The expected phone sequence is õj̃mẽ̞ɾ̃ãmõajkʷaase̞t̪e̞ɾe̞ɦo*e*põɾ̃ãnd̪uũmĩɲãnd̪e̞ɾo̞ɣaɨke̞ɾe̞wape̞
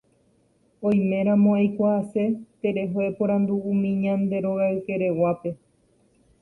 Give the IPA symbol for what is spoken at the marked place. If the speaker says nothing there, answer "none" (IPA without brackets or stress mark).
e